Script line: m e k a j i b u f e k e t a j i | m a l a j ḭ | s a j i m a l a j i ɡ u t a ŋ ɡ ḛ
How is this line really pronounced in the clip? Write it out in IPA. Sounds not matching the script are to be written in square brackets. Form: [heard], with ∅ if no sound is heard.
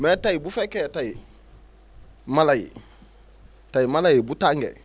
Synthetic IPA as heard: m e [t] a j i b u f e k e t a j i | m a l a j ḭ | [t] a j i m a l a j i [b] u t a ŋ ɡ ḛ